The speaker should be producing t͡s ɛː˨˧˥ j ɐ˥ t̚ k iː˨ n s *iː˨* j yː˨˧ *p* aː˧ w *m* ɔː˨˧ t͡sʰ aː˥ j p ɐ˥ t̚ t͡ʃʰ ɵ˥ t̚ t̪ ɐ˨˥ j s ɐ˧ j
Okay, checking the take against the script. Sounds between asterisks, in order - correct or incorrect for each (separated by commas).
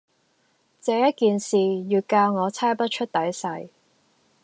correct, incorrect, incorrect